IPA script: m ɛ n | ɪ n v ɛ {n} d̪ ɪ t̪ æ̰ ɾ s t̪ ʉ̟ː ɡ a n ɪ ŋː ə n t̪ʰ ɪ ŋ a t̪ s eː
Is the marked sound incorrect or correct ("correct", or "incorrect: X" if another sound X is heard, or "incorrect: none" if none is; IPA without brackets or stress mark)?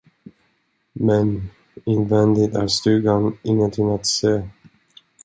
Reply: correct